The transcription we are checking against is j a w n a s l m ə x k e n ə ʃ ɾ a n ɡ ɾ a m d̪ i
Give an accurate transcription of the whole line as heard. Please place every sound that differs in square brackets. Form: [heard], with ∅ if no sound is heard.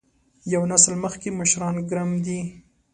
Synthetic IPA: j a w n a s l m ə x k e [m] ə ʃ ɾ [ɑ] n ɡ ɾ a m d̪ i